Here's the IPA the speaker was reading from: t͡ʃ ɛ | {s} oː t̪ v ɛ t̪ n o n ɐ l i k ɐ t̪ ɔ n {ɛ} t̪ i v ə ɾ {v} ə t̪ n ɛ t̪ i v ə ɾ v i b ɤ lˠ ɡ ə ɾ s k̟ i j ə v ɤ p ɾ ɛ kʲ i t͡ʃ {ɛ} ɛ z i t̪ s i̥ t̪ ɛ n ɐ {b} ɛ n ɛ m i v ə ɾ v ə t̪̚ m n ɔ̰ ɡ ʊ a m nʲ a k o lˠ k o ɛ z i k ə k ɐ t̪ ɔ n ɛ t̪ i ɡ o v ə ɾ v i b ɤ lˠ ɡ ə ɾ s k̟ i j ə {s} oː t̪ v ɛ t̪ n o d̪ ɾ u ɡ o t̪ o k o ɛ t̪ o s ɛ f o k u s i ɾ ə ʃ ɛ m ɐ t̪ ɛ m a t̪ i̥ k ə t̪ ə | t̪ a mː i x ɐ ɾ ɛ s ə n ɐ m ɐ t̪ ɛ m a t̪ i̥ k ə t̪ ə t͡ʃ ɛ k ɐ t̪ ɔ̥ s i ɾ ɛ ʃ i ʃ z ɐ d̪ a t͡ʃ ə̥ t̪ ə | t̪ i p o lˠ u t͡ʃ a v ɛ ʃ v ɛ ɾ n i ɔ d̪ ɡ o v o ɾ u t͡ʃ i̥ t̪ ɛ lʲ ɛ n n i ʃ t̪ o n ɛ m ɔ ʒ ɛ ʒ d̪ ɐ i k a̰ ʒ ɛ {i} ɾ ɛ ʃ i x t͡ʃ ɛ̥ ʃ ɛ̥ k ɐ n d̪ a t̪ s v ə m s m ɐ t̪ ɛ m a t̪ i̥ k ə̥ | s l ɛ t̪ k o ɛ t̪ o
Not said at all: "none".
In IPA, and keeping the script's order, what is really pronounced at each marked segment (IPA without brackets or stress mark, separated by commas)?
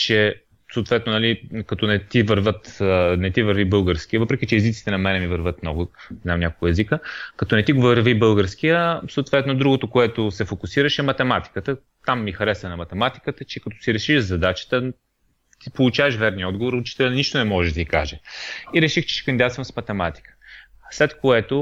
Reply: s, ɛ, v, ɛ, m, s, i